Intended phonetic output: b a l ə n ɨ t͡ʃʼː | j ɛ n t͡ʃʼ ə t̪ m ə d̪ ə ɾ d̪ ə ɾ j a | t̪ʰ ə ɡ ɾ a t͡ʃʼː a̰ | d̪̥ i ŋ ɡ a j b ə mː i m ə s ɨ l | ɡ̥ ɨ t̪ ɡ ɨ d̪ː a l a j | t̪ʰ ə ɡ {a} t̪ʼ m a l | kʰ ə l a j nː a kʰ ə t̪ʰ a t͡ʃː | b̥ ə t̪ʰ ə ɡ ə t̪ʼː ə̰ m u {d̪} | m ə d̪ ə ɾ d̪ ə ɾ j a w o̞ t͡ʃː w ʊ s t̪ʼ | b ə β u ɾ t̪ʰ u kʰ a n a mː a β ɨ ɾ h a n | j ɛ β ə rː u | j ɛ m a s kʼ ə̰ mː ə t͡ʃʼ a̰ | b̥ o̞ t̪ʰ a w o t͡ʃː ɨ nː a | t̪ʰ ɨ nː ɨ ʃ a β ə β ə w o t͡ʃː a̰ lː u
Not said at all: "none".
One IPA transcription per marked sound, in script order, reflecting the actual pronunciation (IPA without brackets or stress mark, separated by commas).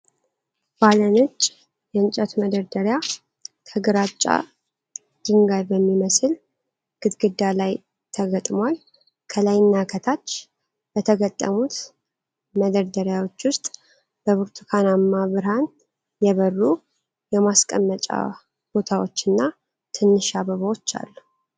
ə, t̪